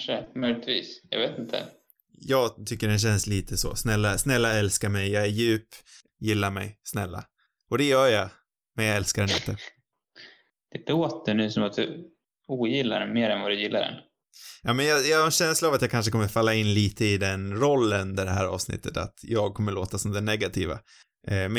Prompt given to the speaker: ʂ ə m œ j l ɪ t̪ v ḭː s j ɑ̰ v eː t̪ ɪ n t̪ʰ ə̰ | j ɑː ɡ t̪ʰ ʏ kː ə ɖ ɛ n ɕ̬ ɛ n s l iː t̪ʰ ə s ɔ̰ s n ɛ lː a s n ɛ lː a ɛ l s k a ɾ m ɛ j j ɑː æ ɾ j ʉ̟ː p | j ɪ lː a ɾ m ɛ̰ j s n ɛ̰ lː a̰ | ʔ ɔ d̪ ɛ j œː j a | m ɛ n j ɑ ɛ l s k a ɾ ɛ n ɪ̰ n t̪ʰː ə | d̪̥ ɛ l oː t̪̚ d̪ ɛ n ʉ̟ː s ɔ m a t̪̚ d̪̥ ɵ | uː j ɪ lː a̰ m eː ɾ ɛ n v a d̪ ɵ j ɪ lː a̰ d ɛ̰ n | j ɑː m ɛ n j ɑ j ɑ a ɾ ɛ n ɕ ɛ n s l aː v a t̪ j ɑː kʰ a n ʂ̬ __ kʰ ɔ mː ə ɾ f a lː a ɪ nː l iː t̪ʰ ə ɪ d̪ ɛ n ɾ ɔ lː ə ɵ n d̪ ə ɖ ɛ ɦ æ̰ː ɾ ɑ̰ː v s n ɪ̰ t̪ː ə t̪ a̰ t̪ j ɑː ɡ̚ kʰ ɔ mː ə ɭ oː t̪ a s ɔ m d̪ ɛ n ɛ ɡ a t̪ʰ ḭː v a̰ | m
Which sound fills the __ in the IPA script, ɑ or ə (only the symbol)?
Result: ə